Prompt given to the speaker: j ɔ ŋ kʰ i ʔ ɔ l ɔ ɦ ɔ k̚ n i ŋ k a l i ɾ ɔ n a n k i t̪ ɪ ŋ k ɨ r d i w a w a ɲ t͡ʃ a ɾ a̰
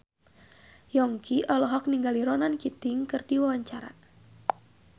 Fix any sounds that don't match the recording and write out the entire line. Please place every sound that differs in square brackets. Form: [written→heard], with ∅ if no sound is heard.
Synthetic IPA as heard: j ɔ ŋ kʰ i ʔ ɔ l ɔ ɦ ɔ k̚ n i ŋ [k→ɡ] a l i ɾ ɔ n a n k i t̪ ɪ ŋ k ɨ r d i w a w a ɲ t͡ʃ a ɾ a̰